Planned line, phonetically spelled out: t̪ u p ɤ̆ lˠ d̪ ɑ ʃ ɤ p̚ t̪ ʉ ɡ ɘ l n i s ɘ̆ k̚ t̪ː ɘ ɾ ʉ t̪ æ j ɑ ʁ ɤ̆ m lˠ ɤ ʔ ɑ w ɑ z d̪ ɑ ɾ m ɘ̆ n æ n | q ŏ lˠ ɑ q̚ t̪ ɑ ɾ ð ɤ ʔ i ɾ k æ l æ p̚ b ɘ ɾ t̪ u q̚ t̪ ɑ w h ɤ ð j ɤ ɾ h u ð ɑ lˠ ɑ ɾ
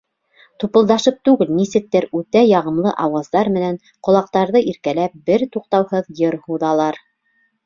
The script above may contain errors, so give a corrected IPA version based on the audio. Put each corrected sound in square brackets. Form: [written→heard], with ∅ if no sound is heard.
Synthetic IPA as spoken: t̪ u p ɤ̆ lˠ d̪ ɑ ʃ ɤ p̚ t̪ ʉ ɡ ɘ l n i s ɘ̆ k̚ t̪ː ɘ ɾ ʉ t̪ æ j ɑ ʁ ɤ̆ m lˠ ɤ ʔ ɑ w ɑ z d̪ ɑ ɾ m ɘ̆ n æ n | q ŏ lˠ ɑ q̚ t̪ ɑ ɾ ð ɤ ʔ i ɾ k æ l æ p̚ b ɘ ɾ t̪ u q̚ t̪ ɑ w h ɤ ð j ɤ ɾ h u ð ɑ lˠ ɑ ɾ